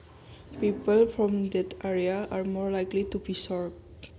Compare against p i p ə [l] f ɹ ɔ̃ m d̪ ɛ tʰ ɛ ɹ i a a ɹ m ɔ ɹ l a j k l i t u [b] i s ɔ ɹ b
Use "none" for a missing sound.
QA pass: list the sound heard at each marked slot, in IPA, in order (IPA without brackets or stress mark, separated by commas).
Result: l, b